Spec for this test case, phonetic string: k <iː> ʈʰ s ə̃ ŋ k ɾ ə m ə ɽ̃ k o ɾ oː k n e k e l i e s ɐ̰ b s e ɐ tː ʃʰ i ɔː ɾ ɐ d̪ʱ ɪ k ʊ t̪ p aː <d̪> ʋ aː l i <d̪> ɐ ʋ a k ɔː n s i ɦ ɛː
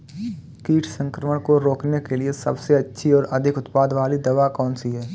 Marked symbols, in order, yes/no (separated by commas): yes, yes, yes